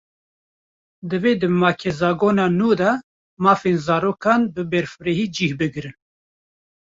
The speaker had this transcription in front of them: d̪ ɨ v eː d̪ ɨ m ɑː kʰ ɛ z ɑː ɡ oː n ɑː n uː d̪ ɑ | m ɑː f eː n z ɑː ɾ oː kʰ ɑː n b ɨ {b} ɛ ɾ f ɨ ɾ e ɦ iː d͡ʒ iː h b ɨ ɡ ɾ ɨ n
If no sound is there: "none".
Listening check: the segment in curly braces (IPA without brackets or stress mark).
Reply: b